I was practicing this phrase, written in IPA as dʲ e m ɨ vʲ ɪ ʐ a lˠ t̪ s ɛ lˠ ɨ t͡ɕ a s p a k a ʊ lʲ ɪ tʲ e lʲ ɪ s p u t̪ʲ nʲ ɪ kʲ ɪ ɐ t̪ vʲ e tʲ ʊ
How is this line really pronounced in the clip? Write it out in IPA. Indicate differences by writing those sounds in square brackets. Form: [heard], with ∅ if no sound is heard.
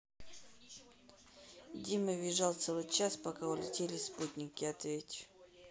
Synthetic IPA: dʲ [i] m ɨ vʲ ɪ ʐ a lˠ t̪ s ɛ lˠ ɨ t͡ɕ a s p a k a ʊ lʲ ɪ tʲ e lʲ ɪ s p u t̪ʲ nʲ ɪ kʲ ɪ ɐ t̪ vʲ e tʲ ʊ